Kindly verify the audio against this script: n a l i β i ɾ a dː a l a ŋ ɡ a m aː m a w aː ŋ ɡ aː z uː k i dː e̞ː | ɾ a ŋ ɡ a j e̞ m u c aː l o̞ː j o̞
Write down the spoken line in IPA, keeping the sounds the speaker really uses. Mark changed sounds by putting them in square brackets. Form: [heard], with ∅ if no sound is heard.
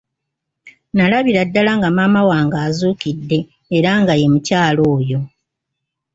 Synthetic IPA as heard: n a l [a] β i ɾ a dː a l a ŋ ɡ a m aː m a w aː ŋ ɡ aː z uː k i dː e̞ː | ɾ a ŋ ɡ a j e̞ m u c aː l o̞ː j o̞